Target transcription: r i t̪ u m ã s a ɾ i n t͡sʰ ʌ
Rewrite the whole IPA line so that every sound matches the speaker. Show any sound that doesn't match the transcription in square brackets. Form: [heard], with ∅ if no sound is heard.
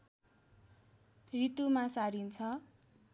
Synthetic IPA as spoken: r i t̪ u m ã s a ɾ i n t͡sʰ ʌ